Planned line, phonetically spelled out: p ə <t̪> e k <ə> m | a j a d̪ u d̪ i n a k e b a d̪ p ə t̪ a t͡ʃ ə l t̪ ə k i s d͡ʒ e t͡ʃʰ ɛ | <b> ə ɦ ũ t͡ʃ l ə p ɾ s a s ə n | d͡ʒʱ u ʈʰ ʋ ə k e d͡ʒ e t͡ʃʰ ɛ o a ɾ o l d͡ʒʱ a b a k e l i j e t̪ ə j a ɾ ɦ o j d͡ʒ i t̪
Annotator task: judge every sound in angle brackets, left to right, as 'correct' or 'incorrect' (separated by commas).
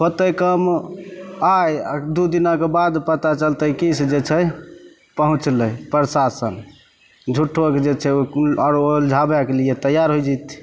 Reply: correct, correct, incorrect